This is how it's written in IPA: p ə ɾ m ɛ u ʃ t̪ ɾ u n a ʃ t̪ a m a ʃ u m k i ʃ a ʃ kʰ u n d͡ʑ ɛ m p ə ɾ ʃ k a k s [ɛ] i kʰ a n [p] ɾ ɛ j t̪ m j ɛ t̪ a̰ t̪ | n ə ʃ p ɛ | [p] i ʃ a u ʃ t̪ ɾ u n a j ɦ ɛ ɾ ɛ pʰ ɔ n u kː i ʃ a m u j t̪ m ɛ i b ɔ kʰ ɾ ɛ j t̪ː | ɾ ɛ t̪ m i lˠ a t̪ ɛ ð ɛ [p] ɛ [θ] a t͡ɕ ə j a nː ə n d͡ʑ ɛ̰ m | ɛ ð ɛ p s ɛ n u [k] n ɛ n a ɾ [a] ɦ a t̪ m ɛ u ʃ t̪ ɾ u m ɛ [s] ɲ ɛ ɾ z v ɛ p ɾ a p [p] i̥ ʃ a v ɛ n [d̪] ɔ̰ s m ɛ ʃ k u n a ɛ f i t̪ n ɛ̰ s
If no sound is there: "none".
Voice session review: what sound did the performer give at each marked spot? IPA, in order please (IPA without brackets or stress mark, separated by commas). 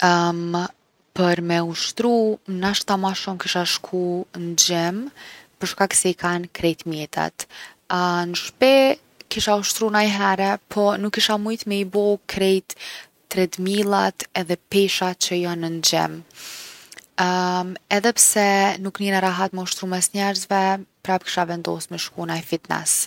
ɛ, k, k, p, ʃ, k, a, s, k, d̪